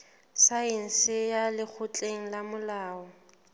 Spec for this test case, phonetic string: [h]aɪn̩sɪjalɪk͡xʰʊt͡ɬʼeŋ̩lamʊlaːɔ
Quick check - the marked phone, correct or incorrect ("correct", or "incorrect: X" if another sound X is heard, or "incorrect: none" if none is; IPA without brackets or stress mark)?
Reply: incorrect: s